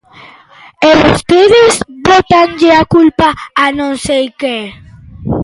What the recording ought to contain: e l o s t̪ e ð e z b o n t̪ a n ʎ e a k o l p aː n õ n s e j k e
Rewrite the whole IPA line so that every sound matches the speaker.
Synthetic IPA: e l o s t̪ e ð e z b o t̪ a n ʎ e a k u l p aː n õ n s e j k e

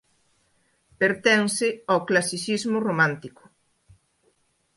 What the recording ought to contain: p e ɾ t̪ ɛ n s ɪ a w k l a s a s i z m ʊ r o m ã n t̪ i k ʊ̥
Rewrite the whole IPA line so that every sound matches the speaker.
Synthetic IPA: p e ɾ t̪ ɛ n s ɪ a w k l a s i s i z m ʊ r o m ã n t̪ i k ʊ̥

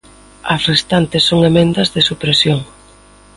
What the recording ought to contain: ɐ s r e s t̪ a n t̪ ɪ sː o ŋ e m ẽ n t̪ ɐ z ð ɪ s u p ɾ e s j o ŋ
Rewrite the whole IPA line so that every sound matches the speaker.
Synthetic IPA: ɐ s r e s t̪ a n t̪ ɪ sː o ŋ e m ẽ n d̪ ɐ z ð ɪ s u p ɾ e s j o ŋ

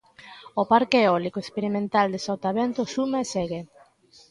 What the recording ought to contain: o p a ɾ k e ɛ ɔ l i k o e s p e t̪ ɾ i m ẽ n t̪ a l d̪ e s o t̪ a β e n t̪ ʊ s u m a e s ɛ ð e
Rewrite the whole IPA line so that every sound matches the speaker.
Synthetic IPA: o p a ɾ k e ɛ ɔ l i k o e s p e ɾ i m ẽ n t̪ a l d̪ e s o t̪ a β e n t̪ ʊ s u m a e s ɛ ɣ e

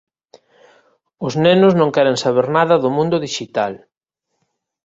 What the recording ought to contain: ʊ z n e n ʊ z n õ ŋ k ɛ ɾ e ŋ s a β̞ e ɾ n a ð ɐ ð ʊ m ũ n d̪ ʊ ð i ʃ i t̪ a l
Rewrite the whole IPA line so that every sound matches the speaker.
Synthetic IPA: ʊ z n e n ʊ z n õ ŋ k ɛ ɾ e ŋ s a β̞ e ɾ n a ð ɐ ð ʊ m ũ n d̪ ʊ ð i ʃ i t̪ a l

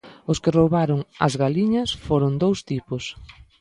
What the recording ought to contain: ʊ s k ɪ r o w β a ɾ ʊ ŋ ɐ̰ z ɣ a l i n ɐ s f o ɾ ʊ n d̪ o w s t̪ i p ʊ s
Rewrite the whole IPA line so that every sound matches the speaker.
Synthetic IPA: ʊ s k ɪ r o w β a ɾ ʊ ŋ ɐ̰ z ɣ a l i ɲ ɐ s f o ɾ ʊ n d̪ o w s t̪ i p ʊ s

